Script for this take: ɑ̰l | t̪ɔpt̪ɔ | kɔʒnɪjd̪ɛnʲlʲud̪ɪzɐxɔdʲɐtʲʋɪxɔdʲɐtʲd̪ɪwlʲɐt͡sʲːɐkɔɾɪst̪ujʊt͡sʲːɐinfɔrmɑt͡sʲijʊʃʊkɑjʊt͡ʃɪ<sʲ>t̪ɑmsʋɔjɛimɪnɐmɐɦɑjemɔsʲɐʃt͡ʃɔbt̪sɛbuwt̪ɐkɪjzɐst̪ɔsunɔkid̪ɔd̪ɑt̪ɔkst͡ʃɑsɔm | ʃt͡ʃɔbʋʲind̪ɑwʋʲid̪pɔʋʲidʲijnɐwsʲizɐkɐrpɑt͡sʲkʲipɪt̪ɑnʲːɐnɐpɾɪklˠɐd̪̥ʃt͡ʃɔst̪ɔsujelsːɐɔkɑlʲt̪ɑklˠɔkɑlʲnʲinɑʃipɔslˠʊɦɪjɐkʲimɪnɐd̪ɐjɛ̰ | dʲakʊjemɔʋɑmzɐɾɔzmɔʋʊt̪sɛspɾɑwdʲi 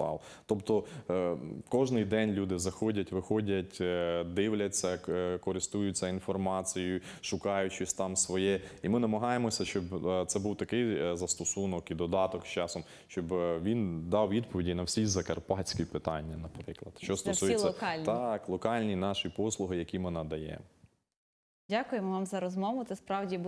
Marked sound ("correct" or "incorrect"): correct